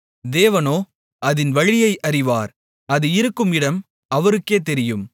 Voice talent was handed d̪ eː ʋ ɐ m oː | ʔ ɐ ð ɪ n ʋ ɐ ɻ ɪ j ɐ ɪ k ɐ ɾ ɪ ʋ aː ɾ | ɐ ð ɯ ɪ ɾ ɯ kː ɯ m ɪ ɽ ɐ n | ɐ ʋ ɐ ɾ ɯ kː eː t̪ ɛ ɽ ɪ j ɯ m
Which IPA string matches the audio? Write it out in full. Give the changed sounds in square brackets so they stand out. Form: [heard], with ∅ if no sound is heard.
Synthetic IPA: d̪ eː ʋ ɐ [n] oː | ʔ ɐ ð ɪ n ʋ ɐ ɻ ɪ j ɐ ɪ [ʔ] ɐ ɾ ɪ ʋ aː ɾ | ɐ ð ɯ ɪ ɾ ɯ kː ɯ m ɪ ɽ ɐ [m] | ɐ ʋ ɐ ɾ ɯ kː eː t̪ ɛ [ɾ] ɪ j ɯ m